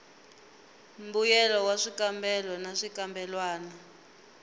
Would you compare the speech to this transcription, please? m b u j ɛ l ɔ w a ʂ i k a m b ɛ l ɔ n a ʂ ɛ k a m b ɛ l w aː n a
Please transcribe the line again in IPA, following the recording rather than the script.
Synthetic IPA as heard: m b u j ɛ l ɔ w a ʂ i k a m b ɛ l ɔ n a ʂ i k a m b ɛ l w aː n a